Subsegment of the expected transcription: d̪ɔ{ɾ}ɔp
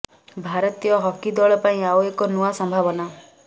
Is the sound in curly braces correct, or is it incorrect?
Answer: incorrect